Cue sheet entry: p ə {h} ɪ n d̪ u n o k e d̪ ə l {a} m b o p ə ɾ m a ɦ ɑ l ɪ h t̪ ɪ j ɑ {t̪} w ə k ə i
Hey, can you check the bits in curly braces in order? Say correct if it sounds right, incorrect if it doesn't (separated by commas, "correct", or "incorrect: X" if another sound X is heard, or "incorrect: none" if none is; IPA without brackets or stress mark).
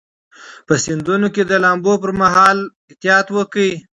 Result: incorrect: s, incorrect: ɑ, correct